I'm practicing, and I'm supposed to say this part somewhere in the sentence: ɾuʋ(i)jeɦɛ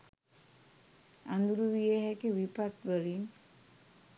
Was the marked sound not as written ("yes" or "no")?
no